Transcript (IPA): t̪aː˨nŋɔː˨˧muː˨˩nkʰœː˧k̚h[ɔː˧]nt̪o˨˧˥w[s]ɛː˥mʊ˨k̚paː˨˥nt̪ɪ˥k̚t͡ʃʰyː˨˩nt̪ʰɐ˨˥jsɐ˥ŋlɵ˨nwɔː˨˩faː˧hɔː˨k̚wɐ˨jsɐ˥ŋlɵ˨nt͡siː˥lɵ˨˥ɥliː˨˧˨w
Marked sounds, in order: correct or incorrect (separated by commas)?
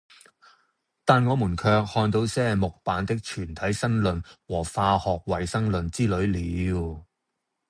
correct, correct